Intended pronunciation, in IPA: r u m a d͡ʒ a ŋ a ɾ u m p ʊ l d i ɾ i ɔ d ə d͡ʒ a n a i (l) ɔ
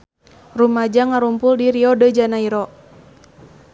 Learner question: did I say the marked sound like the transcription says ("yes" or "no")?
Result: no